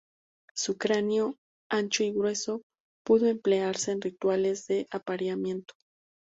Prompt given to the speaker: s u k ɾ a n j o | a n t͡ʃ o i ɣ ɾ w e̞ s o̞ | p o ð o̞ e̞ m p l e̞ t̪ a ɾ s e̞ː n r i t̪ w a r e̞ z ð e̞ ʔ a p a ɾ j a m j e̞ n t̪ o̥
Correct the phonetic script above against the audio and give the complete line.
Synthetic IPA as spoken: s u k ɾ a n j o | a n t͡ʃ o i ɣ ɾ w e̞ s o̞ | p u ð o̞ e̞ m p l e̞ a ɾ s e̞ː n r i t̪ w a l e̞ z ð e̞ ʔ a p a ɾ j a m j e̞ n t̪ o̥